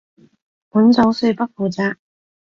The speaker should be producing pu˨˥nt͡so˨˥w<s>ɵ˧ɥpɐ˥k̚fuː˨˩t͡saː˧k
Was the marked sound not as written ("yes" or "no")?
no